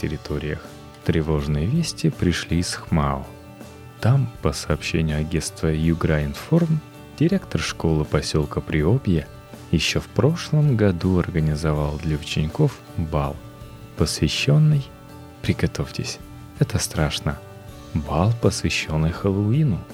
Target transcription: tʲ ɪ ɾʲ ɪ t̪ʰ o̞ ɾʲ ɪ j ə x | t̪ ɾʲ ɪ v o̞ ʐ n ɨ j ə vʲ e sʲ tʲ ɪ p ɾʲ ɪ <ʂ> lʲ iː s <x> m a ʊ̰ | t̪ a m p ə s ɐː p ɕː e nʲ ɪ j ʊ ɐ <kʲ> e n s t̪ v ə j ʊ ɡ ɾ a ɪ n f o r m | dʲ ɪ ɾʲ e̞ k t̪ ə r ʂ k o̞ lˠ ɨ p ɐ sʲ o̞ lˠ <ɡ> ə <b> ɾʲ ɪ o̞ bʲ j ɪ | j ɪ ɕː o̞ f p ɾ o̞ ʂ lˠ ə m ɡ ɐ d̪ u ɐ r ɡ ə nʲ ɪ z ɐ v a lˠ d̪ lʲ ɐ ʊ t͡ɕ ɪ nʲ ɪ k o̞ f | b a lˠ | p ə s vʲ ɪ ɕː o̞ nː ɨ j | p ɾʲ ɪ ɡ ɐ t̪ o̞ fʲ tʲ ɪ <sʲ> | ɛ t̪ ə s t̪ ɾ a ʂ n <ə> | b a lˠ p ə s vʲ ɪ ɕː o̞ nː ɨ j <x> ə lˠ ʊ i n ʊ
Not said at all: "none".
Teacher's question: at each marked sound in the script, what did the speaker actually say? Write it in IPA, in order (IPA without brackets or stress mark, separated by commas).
ʂ, x, ɡʲ, k, p, sʲ, ə, x